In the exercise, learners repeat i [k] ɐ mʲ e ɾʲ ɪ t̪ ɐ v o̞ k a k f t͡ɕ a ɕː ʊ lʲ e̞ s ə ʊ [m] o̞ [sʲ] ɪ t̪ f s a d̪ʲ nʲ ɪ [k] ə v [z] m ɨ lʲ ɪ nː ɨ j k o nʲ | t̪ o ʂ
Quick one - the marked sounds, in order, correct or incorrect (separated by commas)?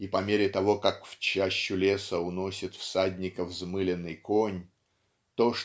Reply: incorrect, incorrect, correct, correct, correct